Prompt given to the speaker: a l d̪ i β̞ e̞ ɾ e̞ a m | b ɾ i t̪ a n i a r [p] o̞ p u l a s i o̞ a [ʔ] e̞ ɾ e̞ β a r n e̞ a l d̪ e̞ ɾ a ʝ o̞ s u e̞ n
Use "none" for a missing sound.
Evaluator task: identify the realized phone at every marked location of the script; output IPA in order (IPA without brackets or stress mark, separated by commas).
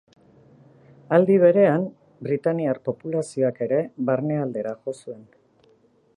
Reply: p, k